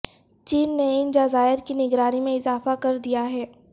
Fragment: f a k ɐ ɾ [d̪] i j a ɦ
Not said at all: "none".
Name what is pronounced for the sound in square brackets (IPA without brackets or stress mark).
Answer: d̪